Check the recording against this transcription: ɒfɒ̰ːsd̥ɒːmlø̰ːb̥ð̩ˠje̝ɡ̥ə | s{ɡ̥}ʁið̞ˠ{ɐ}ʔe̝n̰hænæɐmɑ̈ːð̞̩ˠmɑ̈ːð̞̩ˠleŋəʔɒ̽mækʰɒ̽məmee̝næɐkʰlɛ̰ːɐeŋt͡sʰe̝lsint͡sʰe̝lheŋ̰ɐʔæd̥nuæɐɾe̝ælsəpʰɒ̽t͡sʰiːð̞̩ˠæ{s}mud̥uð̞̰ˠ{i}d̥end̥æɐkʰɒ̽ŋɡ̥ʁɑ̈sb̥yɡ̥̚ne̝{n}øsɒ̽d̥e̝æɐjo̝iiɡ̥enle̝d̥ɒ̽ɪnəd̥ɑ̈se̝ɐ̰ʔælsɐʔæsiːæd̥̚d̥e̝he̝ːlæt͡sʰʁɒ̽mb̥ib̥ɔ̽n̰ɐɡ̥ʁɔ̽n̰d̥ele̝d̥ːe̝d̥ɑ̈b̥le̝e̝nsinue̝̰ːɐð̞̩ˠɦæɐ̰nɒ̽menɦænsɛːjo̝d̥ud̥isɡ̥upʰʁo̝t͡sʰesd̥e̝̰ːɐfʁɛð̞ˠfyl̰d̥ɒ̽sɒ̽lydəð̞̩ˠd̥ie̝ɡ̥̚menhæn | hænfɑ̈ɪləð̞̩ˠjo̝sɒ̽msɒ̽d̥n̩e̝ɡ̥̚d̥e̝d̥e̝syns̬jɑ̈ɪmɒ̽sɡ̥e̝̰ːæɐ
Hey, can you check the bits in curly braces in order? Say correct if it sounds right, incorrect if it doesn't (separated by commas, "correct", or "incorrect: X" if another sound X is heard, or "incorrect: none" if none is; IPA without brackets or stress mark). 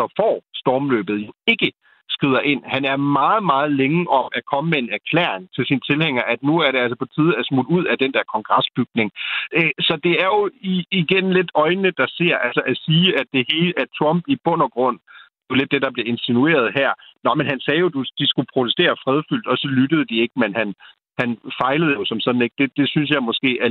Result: correct, correct, correct, incorrect: æ, incorrect: ŋ